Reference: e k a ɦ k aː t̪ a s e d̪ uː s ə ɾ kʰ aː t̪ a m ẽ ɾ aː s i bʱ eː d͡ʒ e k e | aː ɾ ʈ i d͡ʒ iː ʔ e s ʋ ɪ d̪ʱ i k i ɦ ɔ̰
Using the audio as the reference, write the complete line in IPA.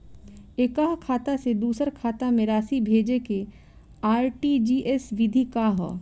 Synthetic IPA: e k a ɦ kʰ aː t̪ a s e d̪ uː s ə ɾ kʰ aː t̪ a m ẽ ɾ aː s i bʱ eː d͡ʒ e k e | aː ɾ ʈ i d͡ʒ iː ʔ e s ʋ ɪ d̪ʱ i k a ɦ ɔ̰